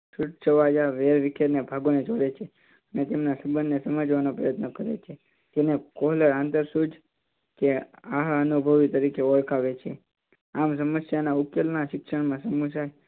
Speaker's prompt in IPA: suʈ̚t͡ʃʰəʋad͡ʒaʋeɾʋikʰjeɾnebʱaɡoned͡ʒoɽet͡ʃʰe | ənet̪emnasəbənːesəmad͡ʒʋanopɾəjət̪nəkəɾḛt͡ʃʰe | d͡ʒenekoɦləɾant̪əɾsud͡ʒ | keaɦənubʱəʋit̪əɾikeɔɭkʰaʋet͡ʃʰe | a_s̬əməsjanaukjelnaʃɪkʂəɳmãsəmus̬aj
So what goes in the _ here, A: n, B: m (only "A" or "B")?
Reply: B